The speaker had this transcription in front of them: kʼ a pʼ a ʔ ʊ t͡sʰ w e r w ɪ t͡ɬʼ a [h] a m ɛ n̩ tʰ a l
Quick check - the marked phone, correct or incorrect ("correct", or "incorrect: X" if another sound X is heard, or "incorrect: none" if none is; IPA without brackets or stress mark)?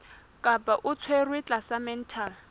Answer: incorrect: s